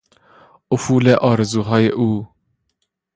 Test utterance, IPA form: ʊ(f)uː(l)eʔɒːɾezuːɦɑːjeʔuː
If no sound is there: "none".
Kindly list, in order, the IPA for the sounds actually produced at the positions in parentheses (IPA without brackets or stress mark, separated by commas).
f, l